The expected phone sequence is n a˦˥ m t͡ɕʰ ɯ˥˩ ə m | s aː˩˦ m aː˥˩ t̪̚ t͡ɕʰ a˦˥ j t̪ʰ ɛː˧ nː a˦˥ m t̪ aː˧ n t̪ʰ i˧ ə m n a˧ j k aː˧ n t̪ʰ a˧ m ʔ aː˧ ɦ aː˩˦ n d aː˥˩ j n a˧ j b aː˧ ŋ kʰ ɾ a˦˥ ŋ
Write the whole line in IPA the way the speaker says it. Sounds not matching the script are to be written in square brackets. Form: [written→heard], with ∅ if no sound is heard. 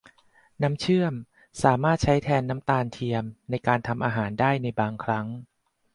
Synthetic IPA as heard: n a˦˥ m t͡ɕʰ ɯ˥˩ ə m | s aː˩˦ m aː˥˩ t̪̚ t͡ɕʰ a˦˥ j t̪ʰ ɛː˧ nː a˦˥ m t̪ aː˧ n t̪ʰ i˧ ə m n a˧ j k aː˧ n t̪ʰ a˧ m ʔ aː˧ ɦ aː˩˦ n d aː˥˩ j n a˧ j b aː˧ ŋ kʰ ɾ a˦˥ ŋ